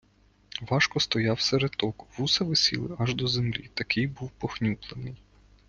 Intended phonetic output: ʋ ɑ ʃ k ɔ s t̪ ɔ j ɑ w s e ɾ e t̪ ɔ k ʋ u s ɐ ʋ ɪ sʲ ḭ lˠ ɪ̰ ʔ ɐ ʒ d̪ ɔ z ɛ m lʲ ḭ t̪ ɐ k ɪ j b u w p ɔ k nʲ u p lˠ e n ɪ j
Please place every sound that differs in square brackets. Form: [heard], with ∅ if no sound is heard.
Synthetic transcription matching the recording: ʋ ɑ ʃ k ɔ s t̪ ɔ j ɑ w s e ɾ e t̪ ɔ k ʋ u s ɐ ʋ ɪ sʲ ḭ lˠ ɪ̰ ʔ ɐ ʒ d̪ ɔ z [e] m lʲ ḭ t̪ ɐ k ɪ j b u w p ɔ [x] nʲ u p lˠ e n ɪ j